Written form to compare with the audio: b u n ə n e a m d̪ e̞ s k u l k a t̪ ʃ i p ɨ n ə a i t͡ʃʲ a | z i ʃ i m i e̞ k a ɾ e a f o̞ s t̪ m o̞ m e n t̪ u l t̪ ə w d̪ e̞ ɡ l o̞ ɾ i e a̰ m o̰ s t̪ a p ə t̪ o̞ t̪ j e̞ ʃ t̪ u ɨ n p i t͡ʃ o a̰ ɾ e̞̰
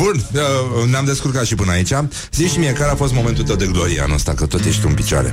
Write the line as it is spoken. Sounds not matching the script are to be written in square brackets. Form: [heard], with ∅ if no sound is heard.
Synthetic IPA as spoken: b u n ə n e a m d̪ e̞ s k u [r] k a t̪ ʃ i p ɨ n ə a i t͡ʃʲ a | z i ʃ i m i e̞ k a ɾ e a f o̞ s t̪ m o̞ m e n t̪ u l t̪ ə w d̪ e̞ ɡ l o̞ ɾ i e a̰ [n] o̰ s t̪ a [k] ə t̪ o̞ t̪ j e̞ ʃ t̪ u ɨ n p i t͡ʃ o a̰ ɾ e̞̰